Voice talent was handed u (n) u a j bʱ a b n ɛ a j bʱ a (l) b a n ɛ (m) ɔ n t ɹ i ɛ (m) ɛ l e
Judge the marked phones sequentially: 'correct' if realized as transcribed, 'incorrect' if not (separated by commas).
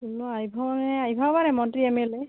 correct, incorrect, correct, correct